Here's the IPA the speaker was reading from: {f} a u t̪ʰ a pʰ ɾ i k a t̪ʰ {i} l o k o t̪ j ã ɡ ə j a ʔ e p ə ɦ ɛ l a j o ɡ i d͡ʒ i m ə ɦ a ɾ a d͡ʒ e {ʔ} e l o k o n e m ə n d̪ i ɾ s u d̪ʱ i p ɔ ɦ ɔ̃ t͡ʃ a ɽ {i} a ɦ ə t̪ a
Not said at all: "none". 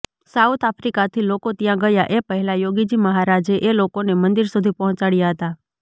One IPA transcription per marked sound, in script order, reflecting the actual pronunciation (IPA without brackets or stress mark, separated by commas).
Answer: s, i, ʔ, j